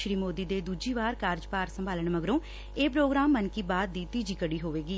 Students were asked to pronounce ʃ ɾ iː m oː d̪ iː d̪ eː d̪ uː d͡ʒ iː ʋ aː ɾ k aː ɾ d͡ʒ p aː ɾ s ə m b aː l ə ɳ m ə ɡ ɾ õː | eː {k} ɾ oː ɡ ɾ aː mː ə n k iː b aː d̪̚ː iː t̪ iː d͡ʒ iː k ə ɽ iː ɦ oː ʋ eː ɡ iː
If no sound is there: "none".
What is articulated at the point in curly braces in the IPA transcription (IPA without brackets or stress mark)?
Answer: p